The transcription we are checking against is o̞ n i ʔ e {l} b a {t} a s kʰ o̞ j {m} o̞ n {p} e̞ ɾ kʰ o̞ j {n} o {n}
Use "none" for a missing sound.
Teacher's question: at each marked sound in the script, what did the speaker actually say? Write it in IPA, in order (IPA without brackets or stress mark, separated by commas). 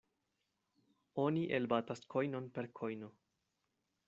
l, t, n, p, n, none